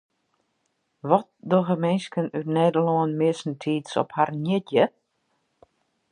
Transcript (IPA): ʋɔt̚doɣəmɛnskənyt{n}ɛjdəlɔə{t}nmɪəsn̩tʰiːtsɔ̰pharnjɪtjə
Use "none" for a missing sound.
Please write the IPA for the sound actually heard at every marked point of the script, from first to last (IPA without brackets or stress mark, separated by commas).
n, none